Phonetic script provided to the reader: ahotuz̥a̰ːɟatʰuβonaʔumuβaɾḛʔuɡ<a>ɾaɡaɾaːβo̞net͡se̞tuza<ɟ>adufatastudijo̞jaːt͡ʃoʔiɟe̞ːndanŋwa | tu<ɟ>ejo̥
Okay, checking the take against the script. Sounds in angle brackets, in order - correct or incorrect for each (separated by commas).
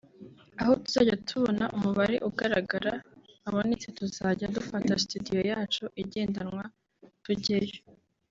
correct, correct, correct